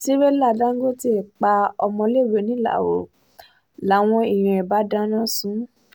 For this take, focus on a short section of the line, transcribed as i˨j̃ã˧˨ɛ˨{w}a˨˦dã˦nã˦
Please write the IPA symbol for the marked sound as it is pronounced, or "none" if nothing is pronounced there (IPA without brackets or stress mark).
b